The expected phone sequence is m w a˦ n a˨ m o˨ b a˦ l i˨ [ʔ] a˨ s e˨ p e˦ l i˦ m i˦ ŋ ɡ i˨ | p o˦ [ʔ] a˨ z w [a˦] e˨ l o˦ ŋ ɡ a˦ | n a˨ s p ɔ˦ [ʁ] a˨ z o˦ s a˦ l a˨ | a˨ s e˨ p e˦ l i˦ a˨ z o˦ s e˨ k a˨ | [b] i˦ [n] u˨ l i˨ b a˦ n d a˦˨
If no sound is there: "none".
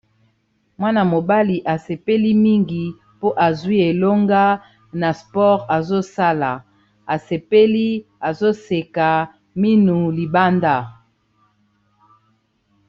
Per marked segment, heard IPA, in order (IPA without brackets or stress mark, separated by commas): ʔ, ʔ, i˦, ʁ, m, n